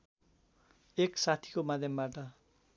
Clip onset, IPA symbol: e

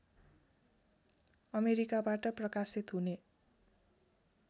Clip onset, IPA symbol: ʌ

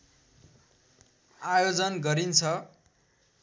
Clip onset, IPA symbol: a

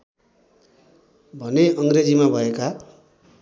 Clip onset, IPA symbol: bʱ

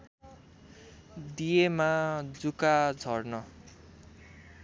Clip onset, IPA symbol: d̪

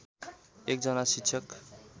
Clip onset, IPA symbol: e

